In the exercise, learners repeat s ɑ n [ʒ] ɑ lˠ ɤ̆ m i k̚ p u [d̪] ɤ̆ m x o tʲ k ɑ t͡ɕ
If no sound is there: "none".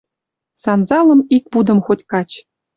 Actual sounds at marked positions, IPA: z, d̪

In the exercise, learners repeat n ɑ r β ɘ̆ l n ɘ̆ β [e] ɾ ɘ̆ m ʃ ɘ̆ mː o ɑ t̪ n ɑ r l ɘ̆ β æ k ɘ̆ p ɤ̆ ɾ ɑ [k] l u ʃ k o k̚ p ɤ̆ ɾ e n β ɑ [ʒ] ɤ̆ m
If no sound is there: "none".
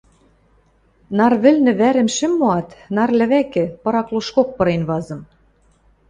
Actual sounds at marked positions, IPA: æ, k, z

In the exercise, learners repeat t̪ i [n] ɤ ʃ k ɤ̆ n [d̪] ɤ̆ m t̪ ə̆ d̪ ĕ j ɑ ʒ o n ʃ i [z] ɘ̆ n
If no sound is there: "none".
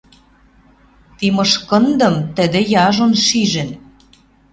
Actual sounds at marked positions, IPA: m, d̪, ʒ

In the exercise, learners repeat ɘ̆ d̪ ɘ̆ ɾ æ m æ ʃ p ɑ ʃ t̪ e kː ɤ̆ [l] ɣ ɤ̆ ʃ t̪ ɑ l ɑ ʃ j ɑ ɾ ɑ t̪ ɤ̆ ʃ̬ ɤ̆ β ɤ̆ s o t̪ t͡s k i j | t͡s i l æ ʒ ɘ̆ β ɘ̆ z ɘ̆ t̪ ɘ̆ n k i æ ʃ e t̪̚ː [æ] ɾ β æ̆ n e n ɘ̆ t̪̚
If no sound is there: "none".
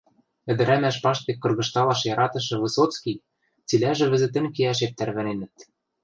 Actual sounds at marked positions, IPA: r, æ

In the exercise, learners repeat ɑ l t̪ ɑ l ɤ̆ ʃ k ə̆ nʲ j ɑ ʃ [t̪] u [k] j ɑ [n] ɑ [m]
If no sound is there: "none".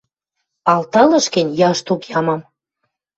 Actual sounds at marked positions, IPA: t̪, k, m, m

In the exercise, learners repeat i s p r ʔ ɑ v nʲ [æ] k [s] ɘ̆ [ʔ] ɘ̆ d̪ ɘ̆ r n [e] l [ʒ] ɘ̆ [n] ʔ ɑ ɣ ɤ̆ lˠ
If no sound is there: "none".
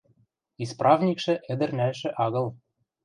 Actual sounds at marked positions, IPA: i, ʃ, ʔ, æ, ʃ, none

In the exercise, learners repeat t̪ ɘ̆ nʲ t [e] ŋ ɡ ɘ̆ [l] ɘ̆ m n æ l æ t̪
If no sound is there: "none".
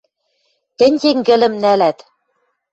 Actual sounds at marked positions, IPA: e, l

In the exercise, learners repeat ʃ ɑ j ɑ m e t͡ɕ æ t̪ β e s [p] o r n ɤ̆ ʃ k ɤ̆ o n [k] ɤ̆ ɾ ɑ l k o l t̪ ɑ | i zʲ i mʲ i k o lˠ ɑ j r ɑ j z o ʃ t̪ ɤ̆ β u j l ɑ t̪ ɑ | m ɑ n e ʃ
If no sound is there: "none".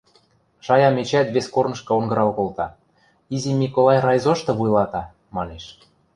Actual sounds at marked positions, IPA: k, ɡ

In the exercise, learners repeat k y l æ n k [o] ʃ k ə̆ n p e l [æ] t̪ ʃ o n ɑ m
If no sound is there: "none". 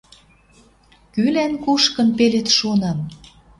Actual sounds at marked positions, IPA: u, e

